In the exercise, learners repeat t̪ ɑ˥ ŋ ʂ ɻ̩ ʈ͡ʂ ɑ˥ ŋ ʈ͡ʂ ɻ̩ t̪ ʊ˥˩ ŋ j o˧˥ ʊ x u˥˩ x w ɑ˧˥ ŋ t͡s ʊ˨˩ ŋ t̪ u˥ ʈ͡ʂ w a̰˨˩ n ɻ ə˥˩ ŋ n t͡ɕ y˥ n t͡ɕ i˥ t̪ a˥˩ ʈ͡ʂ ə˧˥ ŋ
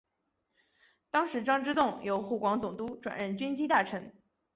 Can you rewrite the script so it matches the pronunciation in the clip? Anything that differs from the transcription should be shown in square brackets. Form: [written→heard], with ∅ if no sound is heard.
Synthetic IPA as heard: t̪ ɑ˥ ŋ ʂ ɻ̩ ʈ͡ʂ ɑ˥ ŋ ʈ͡ʂ ɻ̩ t̪ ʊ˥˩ ŋ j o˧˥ ʊ x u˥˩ [x→k] w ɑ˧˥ ŋ t͡s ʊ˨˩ ŋ t̪ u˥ ʈ͡ʂ w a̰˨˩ n ɻ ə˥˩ [ŋ→∅] n t͡ɕ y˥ n t͡ɕ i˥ t̪ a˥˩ [ʈ͡ʂ→ʈ͡ʂʰ] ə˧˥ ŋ